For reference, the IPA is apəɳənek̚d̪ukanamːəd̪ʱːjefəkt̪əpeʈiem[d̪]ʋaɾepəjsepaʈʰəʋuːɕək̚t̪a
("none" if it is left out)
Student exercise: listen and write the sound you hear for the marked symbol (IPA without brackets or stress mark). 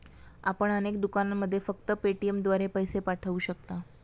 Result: d̪